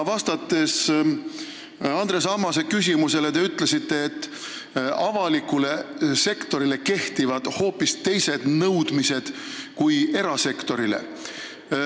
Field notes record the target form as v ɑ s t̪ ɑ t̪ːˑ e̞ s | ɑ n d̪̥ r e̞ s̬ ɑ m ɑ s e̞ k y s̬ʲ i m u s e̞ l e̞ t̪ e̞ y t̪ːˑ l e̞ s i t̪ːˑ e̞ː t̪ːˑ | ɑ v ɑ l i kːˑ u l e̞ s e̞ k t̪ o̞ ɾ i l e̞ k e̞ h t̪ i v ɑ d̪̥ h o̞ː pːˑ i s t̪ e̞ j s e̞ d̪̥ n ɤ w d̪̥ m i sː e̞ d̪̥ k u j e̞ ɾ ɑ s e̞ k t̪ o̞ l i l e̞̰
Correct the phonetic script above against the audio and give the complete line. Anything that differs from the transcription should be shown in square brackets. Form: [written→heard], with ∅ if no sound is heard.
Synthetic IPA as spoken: v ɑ s t̪ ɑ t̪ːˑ e̞ s | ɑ n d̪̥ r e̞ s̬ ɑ m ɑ s e̞ k y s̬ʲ i m u s e̞ l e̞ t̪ e̞ y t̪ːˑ l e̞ s i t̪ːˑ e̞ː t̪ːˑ | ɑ v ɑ l i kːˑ u l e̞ s e̞ k t̪ o̞ ɾ i l e̞ k e̞ h t̪ i v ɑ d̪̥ h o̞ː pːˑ i s t̪ e̞ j s e̞ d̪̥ n ɤ w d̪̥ m i [sː→s] e̞ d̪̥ k u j e̞ ɾ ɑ s e̞ k t̪ o̞ [l→ɾ] i l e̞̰